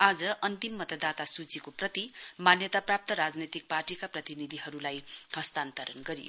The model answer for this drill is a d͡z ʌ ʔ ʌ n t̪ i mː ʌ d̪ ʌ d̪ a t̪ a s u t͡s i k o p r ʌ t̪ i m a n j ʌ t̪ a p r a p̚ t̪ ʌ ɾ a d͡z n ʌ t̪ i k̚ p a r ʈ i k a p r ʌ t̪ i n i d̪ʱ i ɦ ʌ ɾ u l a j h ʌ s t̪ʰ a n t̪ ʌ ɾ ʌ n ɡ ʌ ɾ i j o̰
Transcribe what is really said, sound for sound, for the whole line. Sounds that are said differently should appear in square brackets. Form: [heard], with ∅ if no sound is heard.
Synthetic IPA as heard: a d͡z ʌ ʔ ʌ n t̪ i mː ʌ [t̪] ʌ d̪ a t̪ a s u t͡s i k o p r ʌ t̪ i m a n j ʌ t̪ a p r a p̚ t̪ ʌ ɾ a d͡z n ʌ t̪ i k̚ p a r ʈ i k a p r ʌ t̪ i n i d̪ʱ i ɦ ʌ ɾ u l a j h ʌ s [t̪] a n t̪ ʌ ɾ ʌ n ɡ ʌ ɾ i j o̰